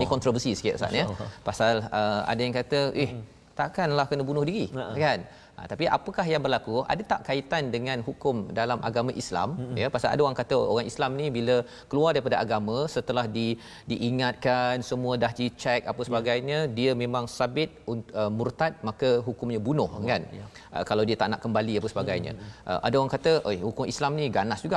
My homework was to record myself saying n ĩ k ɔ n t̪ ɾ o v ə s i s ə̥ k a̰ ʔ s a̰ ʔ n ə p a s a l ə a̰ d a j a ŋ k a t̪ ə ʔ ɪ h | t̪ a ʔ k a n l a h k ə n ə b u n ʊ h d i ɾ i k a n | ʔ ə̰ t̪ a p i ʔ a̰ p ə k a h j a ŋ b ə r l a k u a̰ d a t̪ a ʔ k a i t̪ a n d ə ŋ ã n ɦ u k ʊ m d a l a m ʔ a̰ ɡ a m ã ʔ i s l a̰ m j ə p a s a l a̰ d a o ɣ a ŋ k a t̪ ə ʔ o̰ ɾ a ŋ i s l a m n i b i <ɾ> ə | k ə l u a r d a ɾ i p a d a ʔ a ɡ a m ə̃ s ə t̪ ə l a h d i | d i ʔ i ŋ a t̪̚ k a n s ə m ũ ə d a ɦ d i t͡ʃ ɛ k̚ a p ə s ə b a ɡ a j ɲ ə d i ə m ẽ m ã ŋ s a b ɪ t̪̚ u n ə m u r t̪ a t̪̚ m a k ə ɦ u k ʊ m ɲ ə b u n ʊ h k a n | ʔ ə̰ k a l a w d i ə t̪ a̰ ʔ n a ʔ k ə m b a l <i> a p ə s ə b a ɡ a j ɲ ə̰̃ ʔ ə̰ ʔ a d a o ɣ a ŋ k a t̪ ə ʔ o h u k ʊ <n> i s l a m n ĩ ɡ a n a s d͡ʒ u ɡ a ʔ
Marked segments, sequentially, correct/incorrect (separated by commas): incorrect, correct, incorrect